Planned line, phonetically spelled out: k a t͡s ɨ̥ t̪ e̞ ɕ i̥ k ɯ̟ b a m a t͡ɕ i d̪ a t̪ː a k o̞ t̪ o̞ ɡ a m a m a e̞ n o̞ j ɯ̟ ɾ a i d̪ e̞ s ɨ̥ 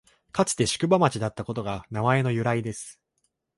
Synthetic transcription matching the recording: k a t͡s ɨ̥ t̪ e̞ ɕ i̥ k ɯ̟ b a m a t͡ɕ i d̪ a t̪ː a k o̞ t̪ o̞ ɡ a n a m a e̞ n o̞ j ɯ̟ ɾ a i d̪ e̞ s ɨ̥